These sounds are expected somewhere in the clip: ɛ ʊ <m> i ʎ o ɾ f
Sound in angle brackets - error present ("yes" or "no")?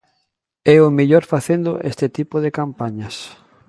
no